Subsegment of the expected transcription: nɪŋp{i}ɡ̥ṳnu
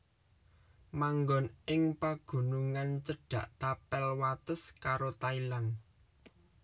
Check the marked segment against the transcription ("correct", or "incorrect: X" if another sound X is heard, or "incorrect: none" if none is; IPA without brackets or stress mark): incorrect: a